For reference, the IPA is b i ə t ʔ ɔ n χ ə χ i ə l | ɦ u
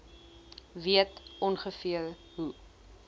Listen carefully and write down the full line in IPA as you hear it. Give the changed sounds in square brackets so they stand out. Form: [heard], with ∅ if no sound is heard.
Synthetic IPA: [v] i ə t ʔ ɔ n χ ə [f] i ə l | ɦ u